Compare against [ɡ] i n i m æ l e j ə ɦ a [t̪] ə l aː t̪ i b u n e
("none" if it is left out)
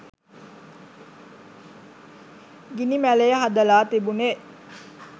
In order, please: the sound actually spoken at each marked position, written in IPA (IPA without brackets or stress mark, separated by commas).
ɡ, d̪